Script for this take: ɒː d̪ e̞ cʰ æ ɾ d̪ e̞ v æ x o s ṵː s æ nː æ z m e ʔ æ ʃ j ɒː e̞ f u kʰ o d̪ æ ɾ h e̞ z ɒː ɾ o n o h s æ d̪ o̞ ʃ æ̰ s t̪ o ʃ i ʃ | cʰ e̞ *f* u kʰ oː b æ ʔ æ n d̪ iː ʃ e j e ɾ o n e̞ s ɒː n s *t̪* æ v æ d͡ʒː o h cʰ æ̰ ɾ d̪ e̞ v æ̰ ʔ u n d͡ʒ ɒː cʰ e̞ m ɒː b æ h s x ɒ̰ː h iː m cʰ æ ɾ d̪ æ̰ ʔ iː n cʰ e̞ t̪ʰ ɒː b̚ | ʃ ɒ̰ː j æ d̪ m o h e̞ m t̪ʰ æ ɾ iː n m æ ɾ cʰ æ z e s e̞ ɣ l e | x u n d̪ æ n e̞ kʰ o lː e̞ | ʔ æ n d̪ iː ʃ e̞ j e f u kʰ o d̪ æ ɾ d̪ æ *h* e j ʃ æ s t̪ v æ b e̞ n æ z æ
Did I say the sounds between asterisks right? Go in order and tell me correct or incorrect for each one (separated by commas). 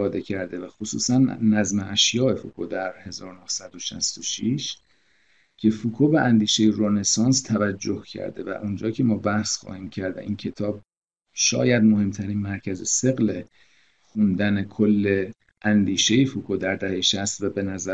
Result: correct, incorrect, correct